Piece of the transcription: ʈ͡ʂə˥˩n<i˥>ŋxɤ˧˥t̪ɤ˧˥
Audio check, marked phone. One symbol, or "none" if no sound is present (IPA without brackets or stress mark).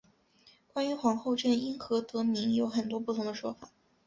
i˥